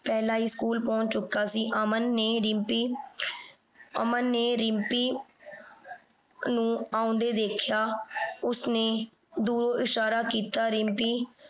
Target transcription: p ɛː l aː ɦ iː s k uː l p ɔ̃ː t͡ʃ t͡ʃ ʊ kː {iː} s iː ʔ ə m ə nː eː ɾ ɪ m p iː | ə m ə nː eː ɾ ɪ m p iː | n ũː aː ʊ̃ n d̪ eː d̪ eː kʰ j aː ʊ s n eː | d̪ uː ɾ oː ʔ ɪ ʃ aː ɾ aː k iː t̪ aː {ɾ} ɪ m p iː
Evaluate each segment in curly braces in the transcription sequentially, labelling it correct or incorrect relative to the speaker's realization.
incorrect: aː, correct

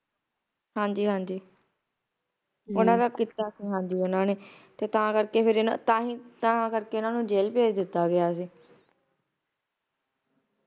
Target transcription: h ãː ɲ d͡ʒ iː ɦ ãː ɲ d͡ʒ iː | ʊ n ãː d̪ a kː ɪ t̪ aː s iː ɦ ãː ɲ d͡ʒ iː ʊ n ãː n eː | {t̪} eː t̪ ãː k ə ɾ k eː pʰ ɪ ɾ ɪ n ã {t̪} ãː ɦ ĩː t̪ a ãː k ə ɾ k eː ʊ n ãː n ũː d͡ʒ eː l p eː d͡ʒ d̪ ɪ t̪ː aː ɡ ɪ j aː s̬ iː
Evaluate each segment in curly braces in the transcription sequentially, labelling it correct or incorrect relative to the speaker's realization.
correct, correct

